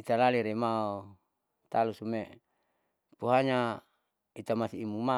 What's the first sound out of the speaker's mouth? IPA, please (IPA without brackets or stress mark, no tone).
i